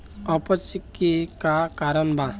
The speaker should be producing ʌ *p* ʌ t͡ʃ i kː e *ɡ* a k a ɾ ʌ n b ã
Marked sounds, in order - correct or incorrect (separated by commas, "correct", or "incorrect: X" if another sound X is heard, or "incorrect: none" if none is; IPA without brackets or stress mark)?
correct, incorrect: k